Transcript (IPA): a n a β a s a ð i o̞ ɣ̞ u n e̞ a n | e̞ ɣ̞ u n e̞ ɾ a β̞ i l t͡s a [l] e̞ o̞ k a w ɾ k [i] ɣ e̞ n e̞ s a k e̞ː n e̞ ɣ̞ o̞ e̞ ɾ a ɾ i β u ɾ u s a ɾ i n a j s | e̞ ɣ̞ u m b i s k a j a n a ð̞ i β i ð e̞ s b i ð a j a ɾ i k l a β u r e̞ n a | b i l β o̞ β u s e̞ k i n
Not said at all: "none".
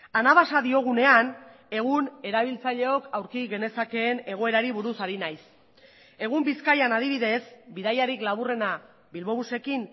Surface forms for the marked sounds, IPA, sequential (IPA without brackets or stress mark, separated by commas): ʎ, i